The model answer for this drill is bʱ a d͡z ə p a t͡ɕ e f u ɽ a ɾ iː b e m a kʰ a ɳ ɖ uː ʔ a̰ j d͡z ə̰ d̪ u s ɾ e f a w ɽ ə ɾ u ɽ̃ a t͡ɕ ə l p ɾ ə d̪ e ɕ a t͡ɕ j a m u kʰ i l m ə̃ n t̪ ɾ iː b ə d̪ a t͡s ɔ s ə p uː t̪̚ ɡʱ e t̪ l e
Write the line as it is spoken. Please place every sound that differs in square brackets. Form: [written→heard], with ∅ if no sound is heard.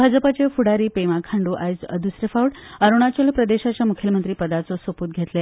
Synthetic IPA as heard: bʱ a d͡z ə p a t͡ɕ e f u ɽ a ɾ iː [b→p] e m a kʰ a ɳ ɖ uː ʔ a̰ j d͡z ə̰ d̪ u s ɾ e f a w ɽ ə ɾ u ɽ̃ a t͡ɕ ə l p ɾ ə d̪ e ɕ a t͡ɕ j a m u kʰ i l m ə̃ n t̪ ɾ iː [b→p] ə d̪ a t͡s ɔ s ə p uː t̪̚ ɡʱ e t̪ l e

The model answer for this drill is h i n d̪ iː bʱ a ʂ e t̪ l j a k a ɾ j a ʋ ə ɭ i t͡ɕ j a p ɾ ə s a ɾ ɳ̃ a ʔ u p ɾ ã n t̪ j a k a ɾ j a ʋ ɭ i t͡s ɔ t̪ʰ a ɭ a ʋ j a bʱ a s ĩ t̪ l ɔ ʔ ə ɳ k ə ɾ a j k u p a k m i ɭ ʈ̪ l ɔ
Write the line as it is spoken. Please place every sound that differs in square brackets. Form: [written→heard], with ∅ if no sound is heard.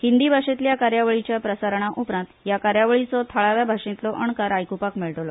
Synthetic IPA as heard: h i n d̪ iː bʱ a ʂ e t̪ l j a k a ɾ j a ʋ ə ɭ i t͡ɕ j a p ɾ ə s a ɾ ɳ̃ a ʔ u p ɾ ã n t̪ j a k a ɾ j a ʋ ɭ i t͡s ɔ t̪ʰ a ɭ a ʋ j a bʱ a [s→ʂ] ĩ t̪ l ɔ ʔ ə ɳ k [ə→a] ɾ a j k u p a k m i ɭ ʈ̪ l ɔ

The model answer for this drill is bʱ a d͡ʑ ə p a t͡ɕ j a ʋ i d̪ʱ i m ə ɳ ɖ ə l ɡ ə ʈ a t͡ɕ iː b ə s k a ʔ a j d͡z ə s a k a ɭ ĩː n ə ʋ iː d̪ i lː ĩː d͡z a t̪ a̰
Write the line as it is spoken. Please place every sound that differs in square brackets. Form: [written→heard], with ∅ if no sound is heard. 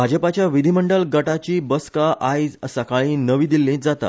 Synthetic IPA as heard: bʱ a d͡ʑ ə p a t͡ɕ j a ʋ i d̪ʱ i m ə ɳ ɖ ə l ɡ ə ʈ a t͡ɕ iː b ə s k a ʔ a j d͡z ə s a k a ɭ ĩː n ə ʋ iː d̪ i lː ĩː d͡z a t̪ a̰

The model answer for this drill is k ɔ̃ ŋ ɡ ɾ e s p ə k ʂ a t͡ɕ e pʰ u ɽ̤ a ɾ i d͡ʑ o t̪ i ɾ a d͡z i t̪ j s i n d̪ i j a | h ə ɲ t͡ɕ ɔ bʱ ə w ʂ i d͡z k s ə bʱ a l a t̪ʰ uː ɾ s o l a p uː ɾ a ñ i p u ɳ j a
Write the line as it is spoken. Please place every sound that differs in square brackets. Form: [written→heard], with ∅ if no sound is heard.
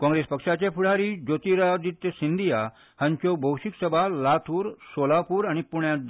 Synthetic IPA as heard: k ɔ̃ ŋ ɡ ɾ e s p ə k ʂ a t͡ɕ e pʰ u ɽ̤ a ɾ i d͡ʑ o t̪ i ɾ a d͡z i t̪ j s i n d̪ i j a | h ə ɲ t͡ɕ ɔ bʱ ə w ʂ i [d͡z→∅] k s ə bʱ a l a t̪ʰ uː ɾ s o l a p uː ɾ a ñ i p u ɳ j a

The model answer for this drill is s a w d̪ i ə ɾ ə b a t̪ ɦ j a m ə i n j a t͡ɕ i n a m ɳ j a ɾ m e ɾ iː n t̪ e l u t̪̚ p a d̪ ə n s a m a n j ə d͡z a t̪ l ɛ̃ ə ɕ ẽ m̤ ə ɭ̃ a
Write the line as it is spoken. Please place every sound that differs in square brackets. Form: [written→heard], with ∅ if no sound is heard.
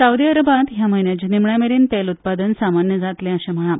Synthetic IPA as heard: s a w d̪ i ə ɾ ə b a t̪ ɦ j a m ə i n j a t͡ɕ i n [a→i] m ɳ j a [ɾ→∅] m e ɾ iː n t̪ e l u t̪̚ p a d̪ ə n s a m a n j ə d͡z a t̪ l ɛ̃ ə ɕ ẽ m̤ ə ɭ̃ a

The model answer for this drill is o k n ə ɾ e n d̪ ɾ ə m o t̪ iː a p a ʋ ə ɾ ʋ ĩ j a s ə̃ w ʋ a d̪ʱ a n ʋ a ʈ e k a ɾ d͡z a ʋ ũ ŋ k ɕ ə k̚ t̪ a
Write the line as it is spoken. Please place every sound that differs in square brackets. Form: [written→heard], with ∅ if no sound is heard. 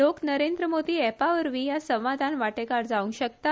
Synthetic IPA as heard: o k n ə ɾ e n d̪ ɾ ə m o [t̪→d̪] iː [a→ɛ] p a ʋ ə ɾ ʋ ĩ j a s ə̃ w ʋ a d̪ʱ a n ʋ a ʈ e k a ɾ d͡z a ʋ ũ ŋ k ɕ ə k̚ t̪ a

